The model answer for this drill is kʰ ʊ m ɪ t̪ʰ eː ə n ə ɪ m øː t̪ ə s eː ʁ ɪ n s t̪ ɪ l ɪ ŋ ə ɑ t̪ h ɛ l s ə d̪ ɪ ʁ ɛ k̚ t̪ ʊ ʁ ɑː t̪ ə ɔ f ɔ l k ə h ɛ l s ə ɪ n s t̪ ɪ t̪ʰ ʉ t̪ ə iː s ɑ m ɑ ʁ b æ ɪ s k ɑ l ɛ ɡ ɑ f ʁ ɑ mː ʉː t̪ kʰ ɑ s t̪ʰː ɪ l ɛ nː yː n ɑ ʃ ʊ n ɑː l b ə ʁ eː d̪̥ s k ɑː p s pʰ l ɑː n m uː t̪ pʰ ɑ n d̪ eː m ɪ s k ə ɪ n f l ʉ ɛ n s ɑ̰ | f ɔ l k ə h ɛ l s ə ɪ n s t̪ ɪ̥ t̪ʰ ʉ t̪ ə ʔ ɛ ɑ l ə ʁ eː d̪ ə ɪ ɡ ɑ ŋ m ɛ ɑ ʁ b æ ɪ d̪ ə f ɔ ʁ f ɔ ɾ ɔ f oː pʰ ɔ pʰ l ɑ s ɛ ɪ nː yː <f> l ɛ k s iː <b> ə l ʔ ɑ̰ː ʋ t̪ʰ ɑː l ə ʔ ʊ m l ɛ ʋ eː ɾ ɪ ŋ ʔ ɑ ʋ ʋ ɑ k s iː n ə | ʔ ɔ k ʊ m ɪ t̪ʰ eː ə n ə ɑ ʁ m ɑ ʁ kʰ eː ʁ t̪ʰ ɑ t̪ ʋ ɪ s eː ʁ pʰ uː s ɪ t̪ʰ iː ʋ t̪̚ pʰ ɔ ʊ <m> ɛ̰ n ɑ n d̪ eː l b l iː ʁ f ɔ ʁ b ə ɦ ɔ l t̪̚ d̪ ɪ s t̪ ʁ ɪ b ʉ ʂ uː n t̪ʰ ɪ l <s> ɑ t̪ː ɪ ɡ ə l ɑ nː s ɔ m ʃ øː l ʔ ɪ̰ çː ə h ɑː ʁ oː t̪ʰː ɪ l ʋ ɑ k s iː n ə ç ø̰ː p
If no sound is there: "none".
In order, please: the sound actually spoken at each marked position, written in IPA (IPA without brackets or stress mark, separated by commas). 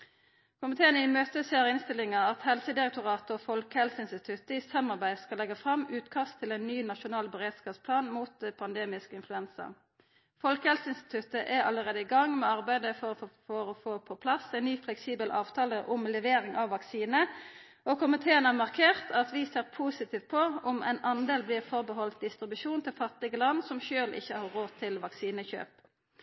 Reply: f, b, m, f